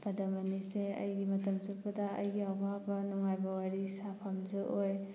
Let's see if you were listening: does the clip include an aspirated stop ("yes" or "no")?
yes